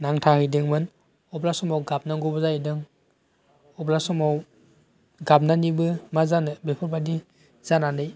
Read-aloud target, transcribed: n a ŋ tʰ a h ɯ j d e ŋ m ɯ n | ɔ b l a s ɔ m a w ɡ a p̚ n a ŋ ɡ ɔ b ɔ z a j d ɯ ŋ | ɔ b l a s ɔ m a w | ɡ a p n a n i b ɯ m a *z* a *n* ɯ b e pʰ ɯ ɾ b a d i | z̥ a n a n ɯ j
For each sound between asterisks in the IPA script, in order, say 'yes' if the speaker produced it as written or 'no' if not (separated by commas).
yes, yes